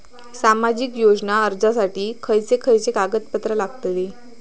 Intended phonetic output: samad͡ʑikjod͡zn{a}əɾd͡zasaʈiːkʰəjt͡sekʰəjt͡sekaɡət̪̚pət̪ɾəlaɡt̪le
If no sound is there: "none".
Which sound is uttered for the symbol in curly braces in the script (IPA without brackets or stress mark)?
a